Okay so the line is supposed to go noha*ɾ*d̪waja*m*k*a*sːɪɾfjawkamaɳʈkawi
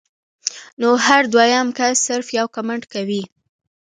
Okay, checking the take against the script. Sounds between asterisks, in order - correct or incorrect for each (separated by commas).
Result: correct, correct, correct